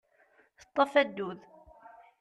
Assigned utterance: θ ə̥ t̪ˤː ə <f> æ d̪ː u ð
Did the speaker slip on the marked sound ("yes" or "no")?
no